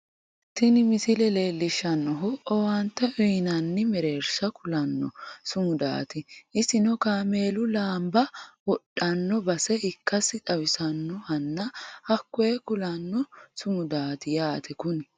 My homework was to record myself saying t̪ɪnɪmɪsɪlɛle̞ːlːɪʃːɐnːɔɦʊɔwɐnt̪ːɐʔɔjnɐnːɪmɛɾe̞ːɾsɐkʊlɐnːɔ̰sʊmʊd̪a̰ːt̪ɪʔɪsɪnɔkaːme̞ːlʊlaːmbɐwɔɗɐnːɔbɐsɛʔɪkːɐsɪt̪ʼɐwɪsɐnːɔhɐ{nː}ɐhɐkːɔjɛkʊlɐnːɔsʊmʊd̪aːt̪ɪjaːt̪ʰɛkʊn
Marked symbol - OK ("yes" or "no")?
yes